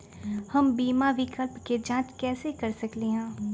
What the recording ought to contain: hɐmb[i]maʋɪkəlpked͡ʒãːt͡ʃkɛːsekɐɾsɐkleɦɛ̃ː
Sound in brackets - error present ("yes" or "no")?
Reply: yes